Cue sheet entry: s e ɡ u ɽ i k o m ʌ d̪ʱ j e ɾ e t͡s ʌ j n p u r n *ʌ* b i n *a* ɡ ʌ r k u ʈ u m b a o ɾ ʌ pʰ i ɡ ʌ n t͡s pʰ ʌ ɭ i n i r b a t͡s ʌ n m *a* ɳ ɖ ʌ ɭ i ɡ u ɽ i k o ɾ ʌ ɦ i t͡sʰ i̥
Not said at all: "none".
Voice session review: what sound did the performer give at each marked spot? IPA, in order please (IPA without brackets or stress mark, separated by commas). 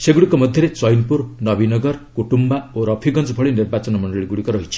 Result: ʌ, ʌ, ʌ